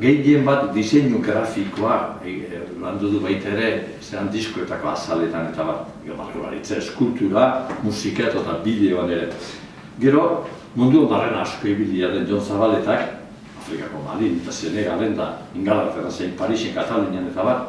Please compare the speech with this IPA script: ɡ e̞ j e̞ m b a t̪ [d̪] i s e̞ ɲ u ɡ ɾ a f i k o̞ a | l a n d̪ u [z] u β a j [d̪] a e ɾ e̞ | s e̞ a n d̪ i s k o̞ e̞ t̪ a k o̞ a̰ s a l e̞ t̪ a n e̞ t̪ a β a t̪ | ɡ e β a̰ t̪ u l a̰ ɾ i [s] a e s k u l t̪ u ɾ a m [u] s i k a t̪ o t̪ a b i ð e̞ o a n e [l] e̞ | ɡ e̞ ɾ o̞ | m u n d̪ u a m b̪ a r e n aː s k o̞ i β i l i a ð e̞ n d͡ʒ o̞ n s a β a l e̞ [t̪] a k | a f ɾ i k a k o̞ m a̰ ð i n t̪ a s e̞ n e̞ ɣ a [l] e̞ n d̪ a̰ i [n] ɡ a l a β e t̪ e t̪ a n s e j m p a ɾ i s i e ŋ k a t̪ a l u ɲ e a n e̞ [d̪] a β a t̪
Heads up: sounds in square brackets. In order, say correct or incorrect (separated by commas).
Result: correct, incorrect, incorrect, incorrect, correct, incorrect, correct, correct, incorrect, incorrect